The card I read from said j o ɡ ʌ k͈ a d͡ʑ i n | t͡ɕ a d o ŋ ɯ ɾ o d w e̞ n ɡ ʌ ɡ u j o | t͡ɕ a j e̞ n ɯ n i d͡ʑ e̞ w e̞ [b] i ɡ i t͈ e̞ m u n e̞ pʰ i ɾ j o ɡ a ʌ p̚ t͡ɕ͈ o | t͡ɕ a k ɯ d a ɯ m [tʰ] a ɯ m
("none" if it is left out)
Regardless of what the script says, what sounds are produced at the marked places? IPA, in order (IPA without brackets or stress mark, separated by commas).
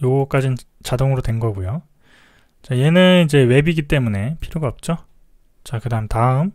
b, t